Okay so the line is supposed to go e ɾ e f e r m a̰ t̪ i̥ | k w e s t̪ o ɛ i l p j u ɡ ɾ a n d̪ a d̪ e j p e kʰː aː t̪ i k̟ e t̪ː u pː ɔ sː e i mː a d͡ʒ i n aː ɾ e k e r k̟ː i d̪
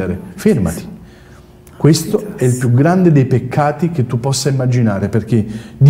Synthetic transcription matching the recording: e ɾ e f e r m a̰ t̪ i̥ | k w e s t̪ o ɛ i l p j u ɡ ɾ a n d̪ e d̪ e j p e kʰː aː t̪ i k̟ e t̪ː u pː ɔ sː a i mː a d͡ʒ i n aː ɾ e p e r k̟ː e d̪